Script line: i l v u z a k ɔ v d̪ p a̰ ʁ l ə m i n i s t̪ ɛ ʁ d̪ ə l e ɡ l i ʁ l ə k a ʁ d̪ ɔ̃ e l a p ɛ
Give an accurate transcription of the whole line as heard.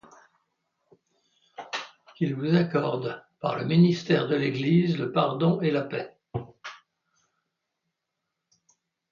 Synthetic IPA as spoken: i l v u z a k ɔ ʁ d̪ p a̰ ʁ l ə m i n i s t̪ ɛ ʁ d̪ ə l e ɡ l i z l ə p a ʁ d̪ ɔ̃ e l a p ɛ